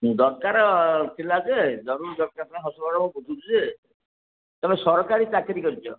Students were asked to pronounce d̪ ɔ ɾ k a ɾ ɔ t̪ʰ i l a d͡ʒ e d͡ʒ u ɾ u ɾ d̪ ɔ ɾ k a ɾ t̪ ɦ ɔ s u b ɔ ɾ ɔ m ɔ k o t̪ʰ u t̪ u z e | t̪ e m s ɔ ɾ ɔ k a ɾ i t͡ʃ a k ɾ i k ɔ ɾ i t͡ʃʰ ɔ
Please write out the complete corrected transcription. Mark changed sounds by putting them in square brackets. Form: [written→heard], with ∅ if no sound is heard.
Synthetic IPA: d̪ ɔ ɾ k a ɾ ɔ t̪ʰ i l a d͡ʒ e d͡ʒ [u→ɔ] ɾ u ɾ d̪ ɔ ɾ k a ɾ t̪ ɦ ɔ s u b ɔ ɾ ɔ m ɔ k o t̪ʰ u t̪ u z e | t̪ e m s ɔ ɾ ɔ k a ɾ i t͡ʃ a k ɾ i k ɔ ɾ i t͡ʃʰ ɔ